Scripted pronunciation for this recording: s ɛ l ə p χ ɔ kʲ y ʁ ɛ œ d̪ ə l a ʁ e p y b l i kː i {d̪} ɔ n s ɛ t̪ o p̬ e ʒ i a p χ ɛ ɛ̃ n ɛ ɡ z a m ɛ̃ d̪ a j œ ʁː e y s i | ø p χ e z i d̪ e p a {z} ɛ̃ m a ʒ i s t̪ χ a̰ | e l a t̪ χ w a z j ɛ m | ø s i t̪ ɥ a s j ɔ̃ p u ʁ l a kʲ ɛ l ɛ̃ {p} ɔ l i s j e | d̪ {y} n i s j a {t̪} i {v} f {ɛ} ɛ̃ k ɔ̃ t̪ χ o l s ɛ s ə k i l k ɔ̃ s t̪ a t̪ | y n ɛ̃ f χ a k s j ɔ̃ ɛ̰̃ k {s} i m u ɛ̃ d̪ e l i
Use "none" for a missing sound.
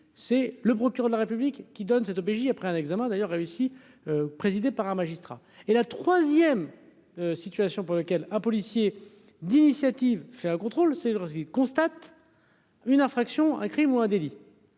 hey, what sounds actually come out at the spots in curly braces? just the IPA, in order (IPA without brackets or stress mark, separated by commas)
d̪, ʁ, p, i, t̪, v, ɛ, χ